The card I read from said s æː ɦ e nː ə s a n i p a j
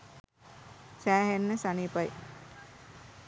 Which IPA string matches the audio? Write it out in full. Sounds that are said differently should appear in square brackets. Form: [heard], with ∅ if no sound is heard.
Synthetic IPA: s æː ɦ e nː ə s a n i p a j

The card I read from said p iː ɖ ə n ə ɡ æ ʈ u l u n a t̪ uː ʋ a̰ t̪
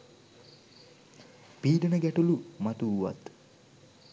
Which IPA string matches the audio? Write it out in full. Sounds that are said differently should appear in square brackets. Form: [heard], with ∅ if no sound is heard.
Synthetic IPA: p iː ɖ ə n ə ɡ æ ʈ u l u [m] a t̪ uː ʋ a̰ t̪

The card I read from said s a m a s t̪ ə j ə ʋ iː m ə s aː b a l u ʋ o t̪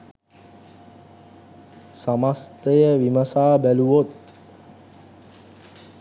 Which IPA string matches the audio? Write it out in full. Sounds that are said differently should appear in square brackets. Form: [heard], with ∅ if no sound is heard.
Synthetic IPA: s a m a s t̪ ə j ə ʋ [i] m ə s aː b [æ] l u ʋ o t̪

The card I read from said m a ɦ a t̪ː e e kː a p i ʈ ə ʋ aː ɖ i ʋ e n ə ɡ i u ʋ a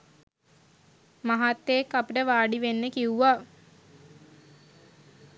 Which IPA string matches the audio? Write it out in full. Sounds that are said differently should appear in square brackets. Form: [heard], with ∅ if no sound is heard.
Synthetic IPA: m a ɦ a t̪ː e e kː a p i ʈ ə ʋ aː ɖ i ʋ e [nː] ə [k] i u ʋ a

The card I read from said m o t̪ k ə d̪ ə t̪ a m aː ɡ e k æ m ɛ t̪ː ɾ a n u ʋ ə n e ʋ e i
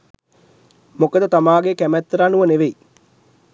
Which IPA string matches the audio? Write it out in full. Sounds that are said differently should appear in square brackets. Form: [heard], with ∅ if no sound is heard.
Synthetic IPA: m o [∅] k ə d̪ ə t̪ a m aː ɡ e k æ m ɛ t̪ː ɾ a n u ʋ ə n e ʋ e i

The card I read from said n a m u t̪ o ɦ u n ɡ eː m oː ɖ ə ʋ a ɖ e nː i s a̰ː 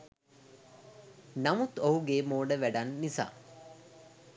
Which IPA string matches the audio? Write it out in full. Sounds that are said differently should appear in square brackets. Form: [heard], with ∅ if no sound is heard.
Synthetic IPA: n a m u t̪ o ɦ u [∅] ɡ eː m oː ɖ ə ʋ [æ] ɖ [a] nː i s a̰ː

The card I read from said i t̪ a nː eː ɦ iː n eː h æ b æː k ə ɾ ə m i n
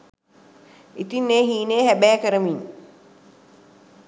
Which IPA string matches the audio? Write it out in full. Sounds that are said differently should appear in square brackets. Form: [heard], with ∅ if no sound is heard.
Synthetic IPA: i t̪ [i] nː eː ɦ iː n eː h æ b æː k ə ɾ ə m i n

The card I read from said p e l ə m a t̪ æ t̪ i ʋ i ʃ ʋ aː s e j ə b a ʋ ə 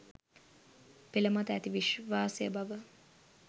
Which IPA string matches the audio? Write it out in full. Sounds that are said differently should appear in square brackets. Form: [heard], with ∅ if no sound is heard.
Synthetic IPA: p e l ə m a t̪ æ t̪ i ʋ i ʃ ʋ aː s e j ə b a ʋ ə

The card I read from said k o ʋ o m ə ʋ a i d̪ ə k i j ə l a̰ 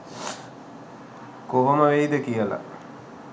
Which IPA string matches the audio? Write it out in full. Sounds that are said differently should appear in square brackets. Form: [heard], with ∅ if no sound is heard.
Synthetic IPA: k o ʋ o m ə ʋ [e] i d̪ ə k i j ə l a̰

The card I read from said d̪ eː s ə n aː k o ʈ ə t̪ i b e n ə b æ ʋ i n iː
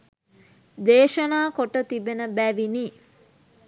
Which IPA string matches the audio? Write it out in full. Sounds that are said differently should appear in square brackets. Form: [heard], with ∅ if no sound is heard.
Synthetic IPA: d̪ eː [ʃ] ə n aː k o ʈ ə t̪ i b e n ə b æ ʋ i n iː

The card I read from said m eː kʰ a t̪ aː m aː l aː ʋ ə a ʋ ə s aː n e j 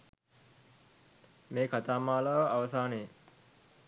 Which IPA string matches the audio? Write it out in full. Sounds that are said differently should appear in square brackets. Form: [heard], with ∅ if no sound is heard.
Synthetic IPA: m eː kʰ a t̪ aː m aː l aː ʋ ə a ʋ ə s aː n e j

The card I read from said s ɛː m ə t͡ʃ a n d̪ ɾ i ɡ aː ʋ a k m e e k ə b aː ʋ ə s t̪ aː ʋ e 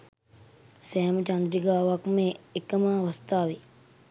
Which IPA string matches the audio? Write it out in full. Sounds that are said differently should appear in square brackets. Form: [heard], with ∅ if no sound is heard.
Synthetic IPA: s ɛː m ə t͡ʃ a n d̪ ɾ i ɡ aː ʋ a k m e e k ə [m] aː ʋ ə s t̪ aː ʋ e

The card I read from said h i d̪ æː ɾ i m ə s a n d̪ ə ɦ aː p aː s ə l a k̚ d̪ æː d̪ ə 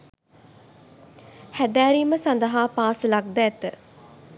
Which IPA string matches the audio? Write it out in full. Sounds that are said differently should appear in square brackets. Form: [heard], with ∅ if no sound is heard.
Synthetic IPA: h [æ] d̪ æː ɾ i m ə s a n d̪ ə ɦ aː p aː s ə l a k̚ d̪ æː [t̪] ə

